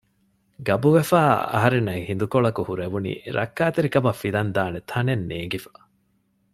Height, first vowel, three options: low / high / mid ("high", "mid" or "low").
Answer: low